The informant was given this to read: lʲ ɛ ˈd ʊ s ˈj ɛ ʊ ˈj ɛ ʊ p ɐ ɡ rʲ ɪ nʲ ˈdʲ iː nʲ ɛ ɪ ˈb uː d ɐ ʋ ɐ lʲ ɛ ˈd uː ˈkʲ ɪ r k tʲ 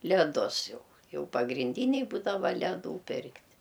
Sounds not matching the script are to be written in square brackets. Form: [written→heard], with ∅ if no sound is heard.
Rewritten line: lʲ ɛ ˈd ʊ s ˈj ɛ ʊ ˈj ɛ ʊ p ɐ ɡ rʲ ɪ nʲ ˈdʲ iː nʲ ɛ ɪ ˈb uː d ɐ ʋ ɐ lʲ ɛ ˈd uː [ˈkʲ→ˈpʲ] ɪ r k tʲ

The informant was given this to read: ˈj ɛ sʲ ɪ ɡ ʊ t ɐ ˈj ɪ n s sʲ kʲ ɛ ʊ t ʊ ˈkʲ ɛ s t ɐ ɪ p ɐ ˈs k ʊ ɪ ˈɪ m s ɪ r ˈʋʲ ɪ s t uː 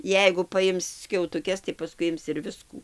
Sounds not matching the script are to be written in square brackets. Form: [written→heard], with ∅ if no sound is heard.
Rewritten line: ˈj ɛ [sʲ→∅] ɪ ɡ ʊ [t→p] ɐ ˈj ɪ [n→m] s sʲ kʲ ɛ ʊ t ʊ ˈkʲ ɛ s t ɐ ɪ p ɐ ˈs k ʊ ɪ ˈɪ m s ɪ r ˈʋʲ ɪ s [t→k] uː

